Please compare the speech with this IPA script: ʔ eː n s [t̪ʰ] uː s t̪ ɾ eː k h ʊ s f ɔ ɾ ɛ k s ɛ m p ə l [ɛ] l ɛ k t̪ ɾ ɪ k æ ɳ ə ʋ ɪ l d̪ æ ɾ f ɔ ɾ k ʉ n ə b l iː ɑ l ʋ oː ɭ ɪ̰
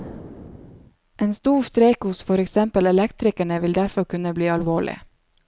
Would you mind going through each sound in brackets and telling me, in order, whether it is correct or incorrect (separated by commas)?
incorrect, correct